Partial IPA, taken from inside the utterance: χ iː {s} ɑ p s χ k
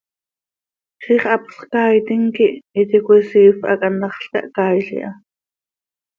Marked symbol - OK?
no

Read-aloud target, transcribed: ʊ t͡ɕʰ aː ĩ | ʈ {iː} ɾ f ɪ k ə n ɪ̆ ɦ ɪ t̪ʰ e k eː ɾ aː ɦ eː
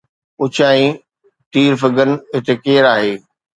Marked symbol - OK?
yes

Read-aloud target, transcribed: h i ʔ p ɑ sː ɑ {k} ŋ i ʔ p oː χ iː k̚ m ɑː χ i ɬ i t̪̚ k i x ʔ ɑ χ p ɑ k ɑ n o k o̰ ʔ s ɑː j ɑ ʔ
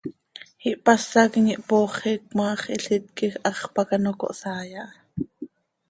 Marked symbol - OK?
yes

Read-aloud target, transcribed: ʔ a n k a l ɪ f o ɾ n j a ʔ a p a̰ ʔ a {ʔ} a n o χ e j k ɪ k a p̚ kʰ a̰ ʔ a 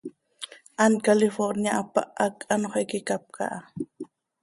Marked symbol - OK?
no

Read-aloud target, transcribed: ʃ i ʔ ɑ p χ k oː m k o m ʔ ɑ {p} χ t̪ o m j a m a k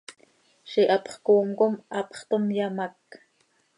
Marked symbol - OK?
yes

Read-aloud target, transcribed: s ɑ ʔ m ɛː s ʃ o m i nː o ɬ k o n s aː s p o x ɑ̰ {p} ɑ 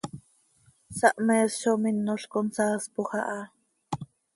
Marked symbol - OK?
no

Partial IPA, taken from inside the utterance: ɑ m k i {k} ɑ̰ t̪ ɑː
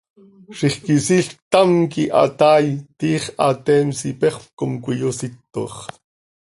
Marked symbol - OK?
no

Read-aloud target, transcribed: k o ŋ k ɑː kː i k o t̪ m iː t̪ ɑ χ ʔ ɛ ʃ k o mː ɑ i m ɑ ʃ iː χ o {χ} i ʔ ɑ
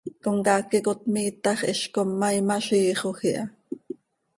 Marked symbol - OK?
no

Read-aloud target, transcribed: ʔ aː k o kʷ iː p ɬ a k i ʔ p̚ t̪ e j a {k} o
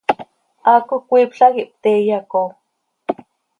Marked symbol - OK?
yes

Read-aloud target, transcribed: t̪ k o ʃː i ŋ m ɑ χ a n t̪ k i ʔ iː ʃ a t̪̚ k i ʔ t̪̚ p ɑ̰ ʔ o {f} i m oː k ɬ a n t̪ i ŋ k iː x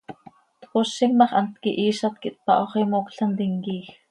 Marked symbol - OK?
no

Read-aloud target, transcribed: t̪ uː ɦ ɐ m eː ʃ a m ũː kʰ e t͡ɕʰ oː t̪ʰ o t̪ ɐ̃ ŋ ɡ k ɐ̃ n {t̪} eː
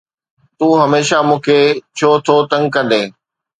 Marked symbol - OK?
no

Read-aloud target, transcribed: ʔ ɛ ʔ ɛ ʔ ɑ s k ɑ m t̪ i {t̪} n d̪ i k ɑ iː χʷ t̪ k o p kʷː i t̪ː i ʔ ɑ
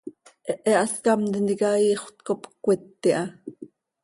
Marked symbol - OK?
no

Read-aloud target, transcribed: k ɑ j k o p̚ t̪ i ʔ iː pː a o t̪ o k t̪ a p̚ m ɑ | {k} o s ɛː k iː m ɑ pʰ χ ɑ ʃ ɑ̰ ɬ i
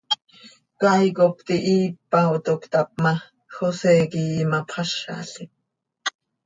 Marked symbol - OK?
no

